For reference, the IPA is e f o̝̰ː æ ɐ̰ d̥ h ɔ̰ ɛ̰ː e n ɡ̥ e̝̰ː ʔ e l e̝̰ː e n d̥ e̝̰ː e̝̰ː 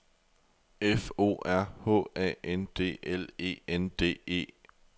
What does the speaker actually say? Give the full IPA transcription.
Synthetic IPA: e f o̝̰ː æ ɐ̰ h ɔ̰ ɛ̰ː e n d̥ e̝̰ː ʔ e l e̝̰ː e n d̥ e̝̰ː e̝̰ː